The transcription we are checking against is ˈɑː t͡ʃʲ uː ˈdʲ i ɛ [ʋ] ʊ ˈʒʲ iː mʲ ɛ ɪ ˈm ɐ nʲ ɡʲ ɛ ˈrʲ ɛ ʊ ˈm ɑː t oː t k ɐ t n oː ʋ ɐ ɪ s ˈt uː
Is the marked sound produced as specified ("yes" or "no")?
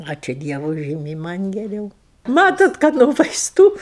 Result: yes